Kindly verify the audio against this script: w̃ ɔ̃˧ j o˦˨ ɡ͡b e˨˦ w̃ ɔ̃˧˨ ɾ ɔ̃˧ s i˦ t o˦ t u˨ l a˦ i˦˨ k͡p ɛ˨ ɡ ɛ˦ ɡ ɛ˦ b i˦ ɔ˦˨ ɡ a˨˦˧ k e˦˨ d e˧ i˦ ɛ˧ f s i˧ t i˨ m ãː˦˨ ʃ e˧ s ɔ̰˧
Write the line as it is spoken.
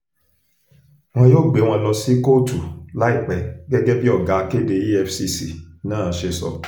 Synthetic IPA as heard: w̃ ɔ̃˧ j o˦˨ ɡ͡b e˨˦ w̃ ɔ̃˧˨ l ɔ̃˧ s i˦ k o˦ t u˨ l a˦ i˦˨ k͡p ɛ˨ ɡ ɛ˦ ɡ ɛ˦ b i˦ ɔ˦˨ ɡ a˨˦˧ k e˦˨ d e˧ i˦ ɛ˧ f s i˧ s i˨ n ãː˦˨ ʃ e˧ s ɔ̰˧